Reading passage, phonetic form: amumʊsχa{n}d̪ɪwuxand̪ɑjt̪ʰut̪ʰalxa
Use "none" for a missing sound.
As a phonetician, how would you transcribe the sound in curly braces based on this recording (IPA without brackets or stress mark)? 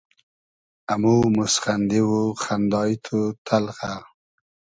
n